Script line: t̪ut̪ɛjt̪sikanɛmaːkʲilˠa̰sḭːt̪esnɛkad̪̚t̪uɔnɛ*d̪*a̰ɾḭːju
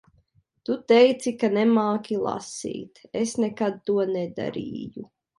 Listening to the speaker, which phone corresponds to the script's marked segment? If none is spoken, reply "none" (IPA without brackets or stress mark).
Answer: d̪